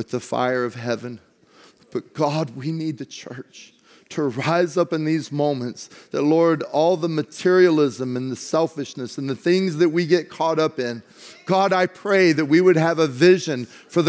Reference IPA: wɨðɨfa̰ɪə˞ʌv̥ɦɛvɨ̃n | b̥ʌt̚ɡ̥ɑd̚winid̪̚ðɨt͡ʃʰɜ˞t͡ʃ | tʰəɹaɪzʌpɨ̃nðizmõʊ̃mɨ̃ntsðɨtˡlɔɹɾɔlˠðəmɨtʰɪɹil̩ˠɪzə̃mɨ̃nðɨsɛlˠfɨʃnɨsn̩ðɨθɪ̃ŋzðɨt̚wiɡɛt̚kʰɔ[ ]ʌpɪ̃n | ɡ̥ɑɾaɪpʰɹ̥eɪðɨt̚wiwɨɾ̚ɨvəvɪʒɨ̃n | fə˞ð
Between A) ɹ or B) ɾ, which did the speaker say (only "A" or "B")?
B